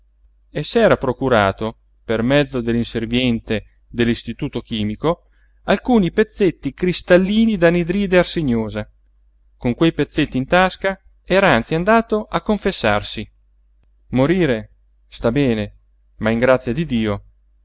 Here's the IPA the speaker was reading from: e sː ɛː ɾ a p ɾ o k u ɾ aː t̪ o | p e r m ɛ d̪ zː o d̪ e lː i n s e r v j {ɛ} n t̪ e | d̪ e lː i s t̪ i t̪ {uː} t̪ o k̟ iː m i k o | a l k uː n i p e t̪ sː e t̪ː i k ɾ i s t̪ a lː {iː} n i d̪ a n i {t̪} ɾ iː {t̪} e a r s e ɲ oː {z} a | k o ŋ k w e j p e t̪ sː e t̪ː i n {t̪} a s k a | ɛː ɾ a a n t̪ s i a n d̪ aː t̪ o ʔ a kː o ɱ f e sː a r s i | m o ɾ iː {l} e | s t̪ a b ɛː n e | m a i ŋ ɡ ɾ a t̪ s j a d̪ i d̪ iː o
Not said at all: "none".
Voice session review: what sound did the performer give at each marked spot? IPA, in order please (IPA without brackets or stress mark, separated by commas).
ɛ, uː, iː, d̪, d̪, z, t̪, ɾ